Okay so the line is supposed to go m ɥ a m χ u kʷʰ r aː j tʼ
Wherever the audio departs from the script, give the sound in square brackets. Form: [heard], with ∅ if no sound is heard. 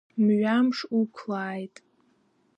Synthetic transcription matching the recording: m ɥ a m [ʂ] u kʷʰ [l] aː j tʼ